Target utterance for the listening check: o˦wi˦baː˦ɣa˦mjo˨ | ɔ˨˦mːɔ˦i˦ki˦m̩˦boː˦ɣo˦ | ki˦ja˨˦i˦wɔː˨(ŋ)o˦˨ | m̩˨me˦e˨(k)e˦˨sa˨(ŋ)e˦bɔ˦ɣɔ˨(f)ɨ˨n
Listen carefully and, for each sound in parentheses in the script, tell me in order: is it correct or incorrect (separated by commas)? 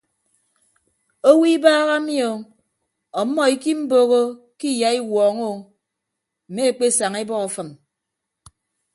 correct, incorrect, correct, correct